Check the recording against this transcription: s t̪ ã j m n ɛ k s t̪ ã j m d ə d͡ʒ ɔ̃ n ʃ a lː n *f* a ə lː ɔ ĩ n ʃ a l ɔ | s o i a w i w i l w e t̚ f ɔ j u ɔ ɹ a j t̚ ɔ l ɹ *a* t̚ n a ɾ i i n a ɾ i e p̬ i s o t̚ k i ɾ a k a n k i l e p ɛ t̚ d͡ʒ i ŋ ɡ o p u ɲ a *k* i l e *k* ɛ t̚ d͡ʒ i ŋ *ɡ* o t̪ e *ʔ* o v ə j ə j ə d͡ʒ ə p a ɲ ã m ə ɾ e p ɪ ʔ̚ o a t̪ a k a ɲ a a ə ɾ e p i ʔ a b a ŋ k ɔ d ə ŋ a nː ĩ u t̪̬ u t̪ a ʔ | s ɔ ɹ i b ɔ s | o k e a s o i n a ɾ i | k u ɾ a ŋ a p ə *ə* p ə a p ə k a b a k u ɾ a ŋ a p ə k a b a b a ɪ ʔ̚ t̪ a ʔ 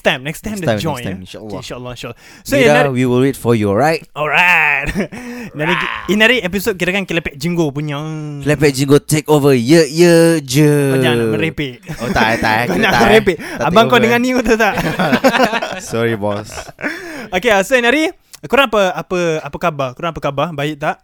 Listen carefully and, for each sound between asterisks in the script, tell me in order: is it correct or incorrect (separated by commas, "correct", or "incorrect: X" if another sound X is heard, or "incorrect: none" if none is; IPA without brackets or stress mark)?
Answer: incorrect: ʃ, correct, correct, incorrect: p, correct, incorrect: k, incorrect: a